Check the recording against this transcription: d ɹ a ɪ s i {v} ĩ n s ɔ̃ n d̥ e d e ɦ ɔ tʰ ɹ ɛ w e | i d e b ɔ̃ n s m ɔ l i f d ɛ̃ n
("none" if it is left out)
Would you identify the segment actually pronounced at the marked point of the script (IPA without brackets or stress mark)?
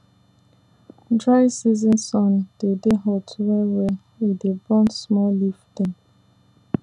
z